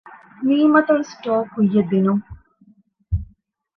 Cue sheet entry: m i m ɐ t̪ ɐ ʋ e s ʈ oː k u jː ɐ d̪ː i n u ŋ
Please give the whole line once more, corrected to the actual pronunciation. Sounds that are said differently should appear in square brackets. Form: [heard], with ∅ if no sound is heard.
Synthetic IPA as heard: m [iː] m ɐ t̪ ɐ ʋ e s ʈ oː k u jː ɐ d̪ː i n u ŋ